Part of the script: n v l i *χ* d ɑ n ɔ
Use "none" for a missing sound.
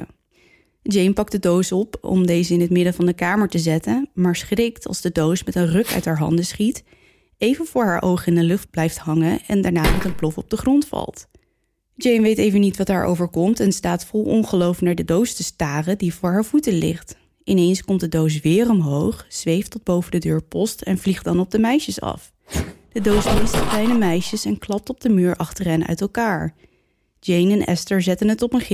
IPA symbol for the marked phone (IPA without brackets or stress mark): χ